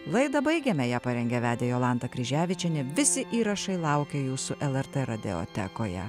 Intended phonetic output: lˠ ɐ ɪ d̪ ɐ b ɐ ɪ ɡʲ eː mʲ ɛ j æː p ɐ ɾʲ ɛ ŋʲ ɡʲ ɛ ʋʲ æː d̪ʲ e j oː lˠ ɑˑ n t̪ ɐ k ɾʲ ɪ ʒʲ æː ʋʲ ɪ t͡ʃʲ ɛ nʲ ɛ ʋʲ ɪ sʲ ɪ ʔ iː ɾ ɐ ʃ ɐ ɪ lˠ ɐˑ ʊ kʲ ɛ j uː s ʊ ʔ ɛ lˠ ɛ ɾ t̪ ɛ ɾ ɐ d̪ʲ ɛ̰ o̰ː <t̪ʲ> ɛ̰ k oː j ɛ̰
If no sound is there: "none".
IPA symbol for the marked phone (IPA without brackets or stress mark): t̪ʲ